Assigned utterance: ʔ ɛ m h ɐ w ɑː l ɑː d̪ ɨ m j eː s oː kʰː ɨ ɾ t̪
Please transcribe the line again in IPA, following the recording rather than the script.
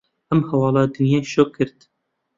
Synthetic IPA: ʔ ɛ m h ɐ w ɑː l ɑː d̪ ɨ n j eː ʃ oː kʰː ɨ ɾ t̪